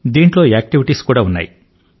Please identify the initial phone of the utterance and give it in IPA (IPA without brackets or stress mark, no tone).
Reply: d̪